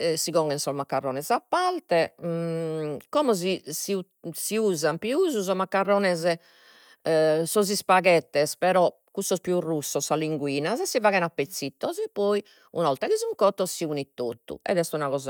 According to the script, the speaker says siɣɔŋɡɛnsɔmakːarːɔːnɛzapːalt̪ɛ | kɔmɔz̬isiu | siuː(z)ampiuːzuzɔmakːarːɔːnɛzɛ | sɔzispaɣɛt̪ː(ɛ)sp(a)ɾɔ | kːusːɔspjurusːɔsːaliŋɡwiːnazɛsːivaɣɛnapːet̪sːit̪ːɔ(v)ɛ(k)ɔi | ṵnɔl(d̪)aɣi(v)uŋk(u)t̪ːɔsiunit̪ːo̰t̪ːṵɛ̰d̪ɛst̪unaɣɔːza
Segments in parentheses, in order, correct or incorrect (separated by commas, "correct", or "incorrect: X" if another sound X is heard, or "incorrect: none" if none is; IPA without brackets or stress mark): correct, correct, incorrect: ɛ, incorrect: z, incorrect: p, incorrect: t̪, incorrect: z, incorrect: ɔ